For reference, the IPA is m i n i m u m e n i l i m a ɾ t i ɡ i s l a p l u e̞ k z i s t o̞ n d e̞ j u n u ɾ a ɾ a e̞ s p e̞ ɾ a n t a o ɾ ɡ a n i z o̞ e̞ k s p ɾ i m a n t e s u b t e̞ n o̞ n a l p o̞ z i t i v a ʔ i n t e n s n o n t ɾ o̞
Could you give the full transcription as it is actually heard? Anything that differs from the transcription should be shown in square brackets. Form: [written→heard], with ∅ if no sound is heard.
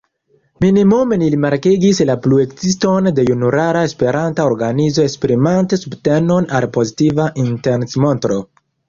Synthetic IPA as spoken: m i n i m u m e n i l i m a ɾ [t→k] i ɡ i s l a p l u e̞ k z i s t o̞ n d e̞ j u n u ɾ a ɾ a e̞ s p e̞ ɾ a n t a o ɾ ɡ a n i z o̞ e̞ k s p ɾ i m a n t e s u b t e̞ n o̞ n a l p o̞ z i t i v a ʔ i n t e n s [n→m] o n t ɾ o̞